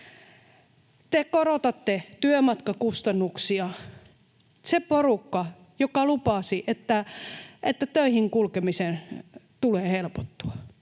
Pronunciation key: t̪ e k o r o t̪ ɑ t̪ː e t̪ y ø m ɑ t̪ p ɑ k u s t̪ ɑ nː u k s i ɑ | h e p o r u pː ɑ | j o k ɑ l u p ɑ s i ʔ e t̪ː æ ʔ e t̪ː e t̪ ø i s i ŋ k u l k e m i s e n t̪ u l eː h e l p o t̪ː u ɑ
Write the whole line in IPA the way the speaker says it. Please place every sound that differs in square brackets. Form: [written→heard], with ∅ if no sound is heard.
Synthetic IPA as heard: t̪ e k o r o t̪ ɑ t̪ː e t̪ y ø m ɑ t̪ [p→k] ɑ k u s t̪ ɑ nː u k s i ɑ | [h→s] e p o r u [pː→kː] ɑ | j o k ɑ l u p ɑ s i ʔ e t̪ː æ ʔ e t̪ː [e→æ] t̪ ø i [s→h] i ŋ k u l k e m i s e n t̪ u l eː h e l p o t̪ː u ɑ